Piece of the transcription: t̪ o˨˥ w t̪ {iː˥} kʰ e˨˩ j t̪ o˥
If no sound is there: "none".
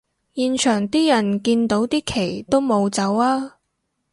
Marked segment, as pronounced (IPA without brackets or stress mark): iː˥